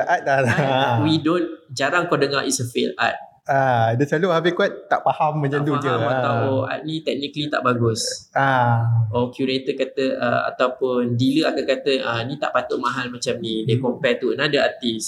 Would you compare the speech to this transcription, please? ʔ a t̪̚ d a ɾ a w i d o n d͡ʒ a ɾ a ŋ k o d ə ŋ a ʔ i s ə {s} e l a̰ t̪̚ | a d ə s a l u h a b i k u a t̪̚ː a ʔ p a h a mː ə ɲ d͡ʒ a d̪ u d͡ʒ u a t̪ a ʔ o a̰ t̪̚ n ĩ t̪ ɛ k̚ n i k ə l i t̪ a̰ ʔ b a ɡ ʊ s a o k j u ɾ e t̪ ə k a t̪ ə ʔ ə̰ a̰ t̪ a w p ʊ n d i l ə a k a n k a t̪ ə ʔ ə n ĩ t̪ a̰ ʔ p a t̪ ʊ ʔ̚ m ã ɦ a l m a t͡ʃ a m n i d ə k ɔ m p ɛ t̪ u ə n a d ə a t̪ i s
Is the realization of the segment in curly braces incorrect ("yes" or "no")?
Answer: yes